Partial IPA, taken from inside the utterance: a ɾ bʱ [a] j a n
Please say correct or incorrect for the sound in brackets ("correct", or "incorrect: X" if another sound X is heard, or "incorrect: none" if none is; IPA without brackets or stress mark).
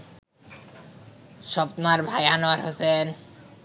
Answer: correct